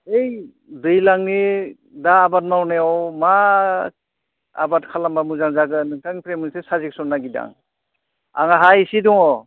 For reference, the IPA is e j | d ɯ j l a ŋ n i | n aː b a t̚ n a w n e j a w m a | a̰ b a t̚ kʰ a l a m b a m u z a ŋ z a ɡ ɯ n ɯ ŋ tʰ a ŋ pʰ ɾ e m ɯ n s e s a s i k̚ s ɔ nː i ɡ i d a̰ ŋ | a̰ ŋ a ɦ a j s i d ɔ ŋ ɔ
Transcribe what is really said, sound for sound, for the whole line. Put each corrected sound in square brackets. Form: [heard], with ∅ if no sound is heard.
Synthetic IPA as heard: e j | d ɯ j l a ŋ n i | [d] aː b a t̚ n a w n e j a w m a | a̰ b a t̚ kʰ a l a m b a m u z a ŋ z a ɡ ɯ n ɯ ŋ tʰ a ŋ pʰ ɾ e m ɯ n s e s a [z] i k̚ s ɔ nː [a] ɡ i d a̰ ŋ | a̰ ŋ a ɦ a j s i d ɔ ŋ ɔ

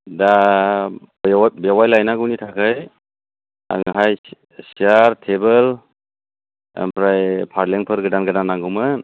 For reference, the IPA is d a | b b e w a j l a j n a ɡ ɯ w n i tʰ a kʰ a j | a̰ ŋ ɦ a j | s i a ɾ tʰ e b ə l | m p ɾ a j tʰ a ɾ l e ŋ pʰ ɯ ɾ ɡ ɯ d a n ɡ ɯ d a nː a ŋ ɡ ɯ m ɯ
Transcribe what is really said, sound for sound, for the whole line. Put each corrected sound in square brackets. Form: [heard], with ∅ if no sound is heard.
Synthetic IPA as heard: d a | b b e w a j l a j n a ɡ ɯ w n i tʰ a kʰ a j | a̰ ŋ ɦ a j | s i a ɾ tʰ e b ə l | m p ɾ a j [pʰ] a ɾ l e ŋ pʰ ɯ ɾ ɡ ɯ d a n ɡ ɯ d a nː a ŋ ɡ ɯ m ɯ

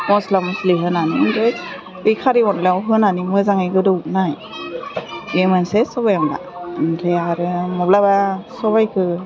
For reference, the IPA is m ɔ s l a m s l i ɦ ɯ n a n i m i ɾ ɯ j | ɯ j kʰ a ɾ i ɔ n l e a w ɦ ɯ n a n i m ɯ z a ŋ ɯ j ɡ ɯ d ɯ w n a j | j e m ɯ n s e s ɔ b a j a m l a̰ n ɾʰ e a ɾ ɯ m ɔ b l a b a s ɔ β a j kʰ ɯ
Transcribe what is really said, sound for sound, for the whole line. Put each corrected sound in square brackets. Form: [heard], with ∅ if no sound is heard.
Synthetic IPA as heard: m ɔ s l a m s l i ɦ ɯ n a n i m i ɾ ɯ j | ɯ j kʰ a ɾ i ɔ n l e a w ɦ ɯ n a n i m ɯ z a ŋ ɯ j ɡ ɯ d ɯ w n a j | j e m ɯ n s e s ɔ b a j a m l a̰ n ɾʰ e a ɾ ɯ m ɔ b l a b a s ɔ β a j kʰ ɯ

